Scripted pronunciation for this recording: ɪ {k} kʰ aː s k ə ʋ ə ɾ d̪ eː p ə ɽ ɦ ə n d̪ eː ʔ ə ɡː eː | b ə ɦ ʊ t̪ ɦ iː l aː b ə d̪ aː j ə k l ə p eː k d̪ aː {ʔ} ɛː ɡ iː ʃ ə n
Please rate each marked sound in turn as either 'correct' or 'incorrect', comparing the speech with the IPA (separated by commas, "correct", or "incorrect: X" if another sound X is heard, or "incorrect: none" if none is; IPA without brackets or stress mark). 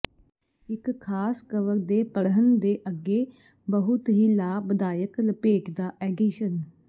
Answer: correct, correct